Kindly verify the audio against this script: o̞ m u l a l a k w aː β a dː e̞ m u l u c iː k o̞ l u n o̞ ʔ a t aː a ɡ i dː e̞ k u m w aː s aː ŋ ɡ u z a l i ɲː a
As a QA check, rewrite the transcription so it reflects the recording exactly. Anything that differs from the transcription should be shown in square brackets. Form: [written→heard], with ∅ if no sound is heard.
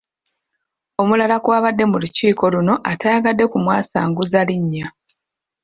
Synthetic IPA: o̞ m u l a l a k w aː β a dː e̞ m u l u c iː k o̞ l u n o̞ ʔ a t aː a ɡ [i→a] dː e̞ k u m w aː s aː ŋ ɡ u z a l i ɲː a